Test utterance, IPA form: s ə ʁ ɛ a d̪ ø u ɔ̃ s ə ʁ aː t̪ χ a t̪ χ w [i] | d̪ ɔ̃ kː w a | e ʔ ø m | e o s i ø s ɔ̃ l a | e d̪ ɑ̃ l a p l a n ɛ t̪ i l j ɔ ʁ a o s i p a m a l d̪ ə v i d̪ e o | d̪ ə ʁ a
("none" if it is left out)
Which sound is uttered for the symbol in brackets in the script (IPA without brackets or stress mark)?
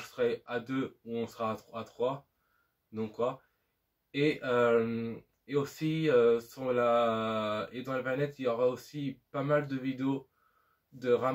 a